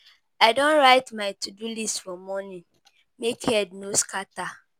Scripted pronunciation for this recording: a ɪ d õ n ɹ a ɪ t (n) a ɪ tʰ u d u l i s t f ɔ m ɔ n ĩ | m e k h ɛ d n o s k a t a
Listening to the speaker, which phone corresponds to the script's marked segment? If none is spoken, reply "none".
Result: m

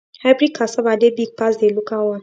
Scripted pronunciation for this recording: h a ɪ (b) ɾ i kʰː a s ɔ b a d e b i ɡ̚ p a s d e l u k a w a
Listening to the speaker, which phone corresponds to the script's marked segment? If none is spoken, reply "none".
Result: b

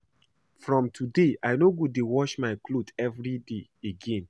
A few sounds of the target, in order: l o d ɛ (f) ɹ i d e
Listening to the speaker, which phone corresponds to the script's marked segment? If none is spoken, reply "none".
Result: v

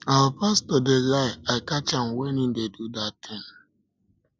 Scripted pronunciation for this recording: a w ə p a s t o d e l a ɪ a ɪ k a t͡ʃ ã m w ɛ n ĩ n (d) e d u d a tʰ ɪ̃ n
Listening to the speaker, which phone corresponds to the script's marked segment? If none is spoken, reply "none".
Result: d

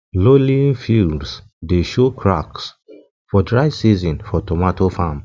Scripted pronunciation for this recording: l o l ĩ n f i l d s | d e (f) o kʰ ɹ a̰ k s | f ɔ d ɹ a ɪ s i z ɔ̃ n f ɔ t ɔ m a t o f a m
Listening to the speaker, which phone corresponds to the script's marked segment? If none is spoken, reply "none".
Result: ʃ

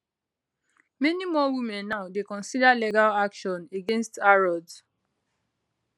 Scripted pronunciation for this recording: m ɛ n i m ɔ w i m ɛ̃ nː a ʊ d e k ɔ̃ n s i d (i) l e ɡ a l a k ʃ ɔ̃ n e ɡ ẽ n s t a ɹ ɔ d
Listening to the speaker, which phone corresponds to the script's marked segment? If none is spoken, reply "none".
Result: a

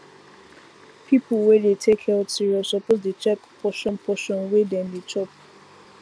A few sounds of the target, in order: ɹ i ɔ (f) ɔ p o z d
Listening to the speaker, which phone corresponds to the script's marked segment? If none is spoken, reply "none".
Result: s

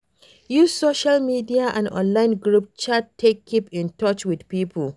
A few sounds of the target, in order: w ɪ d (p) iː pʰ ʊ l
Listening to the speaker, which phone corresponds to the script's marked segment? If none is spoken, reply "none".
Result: p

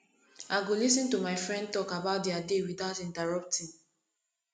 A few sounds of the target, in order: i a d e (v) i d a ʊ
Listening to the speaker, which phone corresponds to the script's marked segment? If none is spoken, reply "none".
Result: w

